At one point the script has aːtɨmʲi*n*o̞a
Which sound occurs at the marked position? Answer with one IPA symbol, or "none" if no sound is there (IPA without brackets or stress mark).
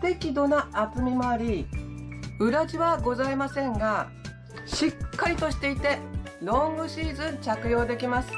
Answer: m